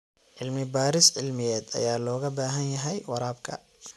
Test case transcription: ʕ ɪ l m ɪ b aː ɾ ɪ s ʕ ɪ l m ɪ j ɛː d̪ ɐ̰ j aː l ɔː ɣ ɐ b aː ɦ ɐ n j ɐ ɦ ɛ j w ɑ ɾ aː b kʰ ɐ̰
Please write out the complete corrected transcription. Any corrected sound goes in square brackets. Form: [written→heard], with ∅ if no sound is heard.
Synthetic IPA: ʕ ɪ l m ɪ b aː ɾ ɪ s ʕ ɪ l m ɪ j ɛː d̪ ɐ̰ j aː l ɔː ɣ ɐ b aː ɦ ɐ n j ɐ ɦ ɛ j w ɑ ɾ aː b kʰ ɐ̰